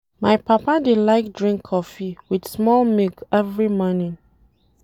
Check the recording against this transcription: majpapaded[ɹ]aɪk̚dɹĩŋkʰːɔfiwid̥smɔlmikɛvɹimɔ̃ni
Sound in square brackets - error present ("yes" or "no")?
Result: yes